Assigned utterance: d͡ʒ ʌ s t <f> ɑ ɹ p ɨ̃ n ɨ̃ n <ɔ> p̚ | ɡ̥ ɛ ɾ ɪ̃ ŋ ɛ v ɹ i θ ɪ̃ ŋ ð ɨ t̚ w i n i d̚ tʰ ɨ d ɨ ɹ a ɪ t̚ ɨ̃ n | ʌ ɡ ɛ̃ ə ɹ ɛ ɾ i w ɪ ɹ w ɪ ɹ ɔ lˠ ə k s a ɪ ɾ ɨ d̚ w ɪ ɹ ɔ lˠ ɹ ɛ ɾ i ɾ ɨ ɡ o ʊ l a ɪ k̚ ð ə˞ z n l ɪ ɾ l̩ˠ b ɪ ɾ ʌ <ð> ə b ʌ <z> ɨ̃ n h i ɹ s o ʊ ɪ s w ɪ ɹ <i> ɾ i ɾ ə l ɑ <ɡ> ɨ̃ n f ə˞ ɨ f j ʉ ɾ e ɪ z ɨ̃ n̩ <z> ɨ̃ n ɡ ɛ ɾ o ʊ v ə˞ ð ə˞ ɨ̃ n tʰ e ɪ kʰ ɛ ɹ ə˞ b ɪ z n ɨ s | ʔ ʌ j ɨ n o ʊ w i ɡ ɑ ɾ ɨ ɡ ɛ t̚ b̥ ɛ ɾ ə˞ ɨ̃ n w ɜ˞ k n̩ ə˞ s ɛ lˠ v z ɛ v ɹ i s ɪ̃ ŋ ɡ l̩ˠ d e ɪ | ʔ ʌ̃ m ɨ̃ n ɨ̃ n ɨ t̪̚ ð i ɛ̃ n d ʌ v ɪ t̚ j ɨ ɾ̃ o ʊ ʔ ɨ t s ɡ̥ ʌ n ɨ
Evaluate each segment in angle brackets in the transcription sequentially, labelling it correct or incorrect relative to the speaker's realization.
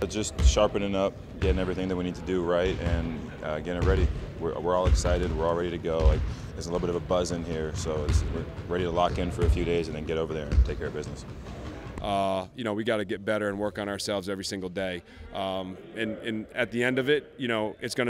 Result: incorrect: ʃ, incorrect: ʌ, incorrect: v, correct, incorrect: ɛ, incorrect: k, incorrect: ð

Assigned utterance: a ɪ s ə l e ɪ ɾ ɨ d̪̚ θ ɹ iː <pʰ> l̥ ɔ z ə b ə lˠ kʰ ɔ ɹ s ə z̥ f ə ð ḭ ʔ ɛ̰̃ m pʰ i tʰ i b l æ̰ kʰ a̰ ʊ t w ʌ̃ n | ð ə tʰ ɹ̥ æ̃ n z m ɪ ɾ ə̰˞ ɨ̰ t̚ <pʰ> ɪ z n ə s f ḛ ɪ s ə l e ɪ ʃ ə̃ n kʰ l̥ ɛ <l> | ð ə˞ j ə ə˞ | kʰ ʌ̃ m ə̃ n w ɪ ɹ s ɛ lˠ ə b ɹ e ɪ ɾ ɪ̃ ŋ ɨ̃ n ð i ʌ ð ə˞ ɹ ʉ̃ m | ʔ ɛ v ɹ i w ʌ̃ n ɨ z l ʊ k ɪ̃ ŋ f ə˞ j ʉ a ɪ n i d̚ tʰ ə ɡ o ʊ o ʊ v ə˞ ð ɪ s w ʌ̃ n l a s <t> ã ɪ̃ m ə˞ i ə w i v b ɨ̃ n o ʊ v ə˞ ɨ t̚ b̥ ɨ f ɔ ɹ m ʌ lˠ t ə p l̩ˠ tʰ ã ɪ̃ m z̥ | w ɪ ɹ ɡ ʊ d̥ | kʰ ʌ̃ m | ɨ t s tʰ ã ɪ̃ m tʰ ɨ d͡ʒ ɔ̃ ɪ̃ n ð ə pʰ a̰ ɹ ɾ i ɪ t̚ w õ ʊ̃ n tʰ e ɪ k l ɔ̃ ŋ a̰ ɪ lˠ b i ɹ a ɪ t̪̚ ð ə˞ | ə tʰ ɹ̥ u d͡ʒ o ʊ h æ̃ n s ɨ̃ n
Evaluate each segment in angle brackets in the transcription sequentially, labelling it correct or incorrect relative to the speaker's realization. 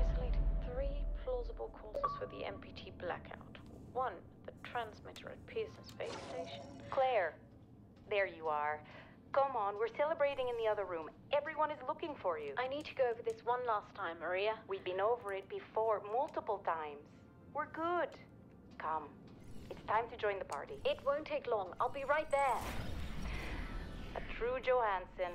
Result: correct, correct, incorrect: ɹ, incorrect: tʰ

